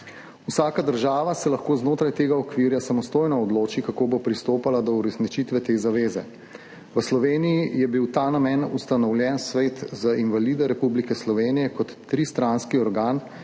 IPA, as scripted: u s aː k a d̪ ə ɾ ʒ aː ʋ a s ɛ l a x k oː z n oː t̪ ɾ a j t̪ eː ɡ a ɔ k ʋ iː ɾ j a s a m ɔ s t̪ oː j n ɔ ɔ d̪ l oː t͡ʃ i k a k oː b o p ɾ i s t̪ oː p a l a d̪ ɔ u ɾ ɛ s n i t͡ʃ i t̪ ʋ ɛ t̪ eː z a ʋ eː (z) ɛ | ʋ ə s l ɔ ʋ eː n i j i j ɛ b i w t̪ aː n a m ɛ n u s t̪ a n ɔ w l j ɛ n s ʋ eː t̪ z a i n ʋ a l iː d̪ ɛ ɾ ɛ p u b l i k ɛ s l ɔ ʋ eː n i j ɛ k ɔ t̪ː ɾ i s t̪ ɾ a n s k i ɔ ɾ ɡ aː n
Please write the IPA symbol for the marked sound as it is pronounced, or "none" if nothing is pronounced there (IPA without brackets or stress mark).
z